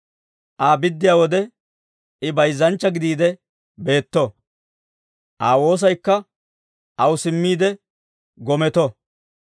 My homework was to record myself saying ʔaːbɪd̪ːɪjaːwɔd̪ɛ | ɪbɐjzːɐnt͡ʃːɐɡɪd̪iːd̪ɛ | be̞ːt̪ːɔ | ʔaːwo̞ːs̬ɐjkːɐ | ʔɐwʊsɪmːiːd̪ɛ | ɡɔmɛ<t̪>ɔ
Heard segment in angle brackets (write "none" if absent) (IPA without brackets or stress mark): t̪